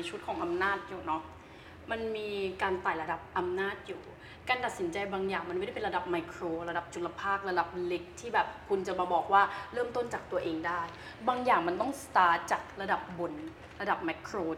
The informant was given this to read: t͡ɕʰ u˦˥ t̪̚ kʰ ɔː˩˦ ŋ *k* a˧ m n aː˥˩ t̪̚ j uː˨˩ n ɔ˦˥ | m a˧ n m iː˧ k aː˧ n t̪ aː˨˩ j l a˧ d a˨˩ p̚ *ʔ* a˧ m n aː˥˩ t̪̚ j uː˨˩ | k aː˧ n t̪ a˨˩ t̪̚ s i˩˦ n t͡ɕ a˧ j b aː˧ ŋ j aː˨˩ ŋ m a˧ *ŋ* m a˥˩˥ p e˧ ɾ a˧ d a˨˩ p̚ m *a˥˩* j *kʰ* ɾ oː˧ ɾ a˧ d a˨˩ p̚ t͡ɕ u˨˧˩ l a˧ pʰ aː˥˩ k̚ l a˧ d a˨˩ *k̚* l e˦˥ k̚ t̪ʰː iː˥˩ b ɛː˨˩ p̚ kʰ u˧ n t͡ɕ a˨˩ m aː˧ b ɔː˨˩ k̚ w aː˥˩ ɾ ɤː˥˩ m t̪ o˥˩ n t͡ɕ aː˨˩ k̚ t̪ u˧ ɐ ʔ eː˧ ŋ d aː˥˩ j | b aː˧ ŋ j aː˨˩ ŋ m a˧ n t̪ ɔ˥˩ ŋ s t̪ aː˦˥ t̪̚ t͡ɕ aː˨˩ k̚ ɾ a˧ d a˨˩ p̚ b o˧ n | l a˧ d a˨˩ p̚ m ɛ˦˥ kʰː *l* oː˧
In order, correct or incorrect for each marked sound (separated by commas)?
incorrect, correct, incorrect, incorrect, correct, incorrect, incorrect